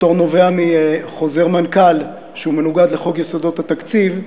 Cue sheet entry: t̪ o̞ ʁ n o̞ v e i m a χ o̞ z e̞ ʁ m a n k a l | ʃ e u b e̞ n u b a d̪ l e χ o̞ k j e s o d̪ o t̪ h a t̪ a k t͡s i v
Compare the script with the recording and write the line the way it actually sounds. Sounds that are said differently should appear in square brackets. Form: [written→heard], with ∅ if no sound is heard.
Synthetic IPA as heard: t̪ o̞ ʁ n o̞ v e [i→a] m [a→i] χ o̞ z e̞ ʁ m a n k a l | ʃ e u [b→m] e̞ n u [b→ɡ] a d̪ l e χ o̞ [k→ɡ] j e s o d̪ o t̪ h a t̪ a k t͡s i v